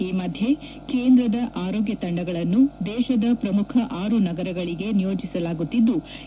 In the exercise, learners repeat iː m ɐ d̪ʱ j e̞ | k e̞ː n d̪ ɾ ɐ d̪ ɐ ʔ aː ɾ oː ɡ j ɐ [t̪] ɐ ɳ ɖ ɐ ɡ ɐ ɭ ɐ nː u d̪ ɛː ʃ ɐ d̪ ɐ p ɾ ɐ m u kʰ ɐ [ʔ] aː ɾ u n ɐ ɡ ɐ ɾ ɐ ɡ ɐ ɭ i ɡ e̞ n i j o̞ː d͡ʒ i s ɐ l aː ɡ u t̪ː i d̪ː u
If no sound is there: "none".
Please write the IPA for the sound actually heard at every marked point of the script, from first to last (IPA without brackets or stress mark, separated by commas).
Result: t̪, ʔ